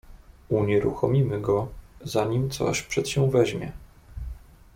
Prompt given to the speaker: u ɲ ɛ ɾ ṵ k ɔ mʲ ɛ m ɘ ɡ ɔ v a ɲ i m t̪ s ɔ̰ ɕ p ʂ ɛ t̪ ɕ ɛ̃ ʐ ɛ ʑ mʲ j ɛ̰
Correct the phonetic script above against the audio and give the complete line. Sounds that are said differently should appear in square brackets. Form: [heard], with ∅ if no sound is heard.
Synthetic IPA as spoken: u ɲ ɛ ɾ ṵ [x] ɔ mʲ [i] m ɘ ɡ ɔ [z] a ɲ i m t̪ s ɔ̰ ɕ p ʂ ɛ t̪ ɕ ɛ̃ [v] ɛ ʑ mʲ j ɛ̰